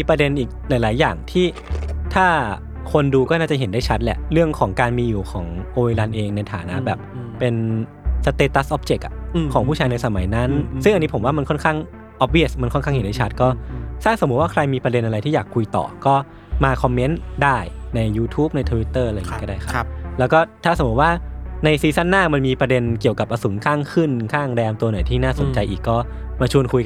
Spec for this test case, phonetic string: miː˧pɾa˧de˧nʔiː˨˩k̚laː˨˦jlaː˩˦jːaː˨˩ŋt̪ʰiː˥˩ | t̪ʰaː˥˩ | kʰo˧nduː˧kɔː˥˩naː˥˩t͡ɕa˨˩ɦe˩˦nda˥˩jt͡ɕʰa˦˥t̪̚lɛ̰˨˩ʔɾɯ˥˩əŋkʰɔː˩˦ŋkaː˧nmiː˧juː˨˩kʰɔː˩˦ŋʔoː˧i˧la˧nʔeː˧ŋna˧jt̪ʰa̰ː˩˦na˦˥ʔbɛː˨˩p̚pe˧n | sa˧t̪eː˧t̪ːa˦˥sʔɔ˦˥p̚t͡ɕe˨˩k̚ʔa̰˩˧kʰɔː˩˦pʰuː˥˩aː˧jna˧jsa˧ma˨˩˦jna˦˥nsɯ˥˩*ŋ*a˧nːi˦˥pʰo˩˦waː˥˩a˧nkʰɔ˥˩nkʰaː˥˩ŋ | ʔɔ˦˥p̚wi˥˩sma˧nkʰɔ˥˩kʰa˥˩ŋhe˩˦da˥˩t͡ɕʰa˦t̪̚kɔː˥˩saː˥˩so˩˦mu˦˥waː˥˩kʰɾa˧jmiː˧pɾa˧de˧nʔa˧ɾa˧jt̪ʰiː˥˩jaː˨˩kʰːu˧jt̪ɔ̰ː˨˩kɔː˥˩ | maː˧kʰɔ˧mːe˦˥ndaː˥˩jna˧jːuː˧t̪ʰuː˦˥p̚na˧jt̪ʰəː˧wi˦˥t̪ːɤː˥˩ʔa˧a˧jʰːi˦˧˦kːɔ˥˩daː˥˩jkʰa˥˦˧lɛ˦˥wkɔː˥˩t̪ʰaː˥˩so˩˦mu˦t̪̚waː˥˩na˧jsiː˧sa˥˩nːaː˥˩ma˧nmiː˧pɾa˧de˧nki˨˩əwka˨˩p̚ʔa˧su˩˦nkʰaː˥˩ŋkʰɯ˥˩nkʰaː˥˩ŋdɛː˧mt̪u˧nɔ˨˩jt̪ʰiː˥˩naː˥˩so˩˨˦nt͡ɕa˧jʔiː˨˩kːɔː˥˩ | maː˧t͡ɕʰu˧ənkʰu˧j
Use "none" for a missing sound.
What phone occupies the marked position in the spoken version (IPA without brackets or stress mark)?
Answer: ŋ